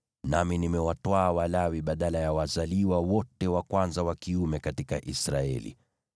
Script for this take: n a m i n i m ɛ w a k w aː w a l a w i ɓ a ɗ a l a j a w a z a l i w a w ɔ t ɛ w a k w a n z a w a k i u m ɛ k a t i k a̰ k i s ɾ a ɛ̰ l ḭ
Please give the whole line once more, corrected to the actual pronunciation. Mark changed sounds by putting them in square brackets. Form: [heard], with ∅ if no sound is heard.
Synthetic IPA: n a m i n i m ɛ w a [t] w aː w a l a w i ɓ a ɗ a l a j a w a z a l i w a w ɔ t ɛ w a k w a n z a w a k i u m ɛ k a t i k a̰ [ʔ] i s ɾ a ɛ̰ l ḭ